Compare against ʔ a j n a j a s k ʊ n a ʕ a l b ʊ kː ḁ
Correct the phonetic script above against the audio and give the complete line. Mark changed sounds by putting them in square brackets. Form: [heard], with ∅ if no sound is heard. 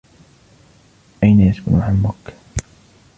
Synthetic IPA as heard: ʔ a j n a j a s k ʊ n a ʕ a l [m] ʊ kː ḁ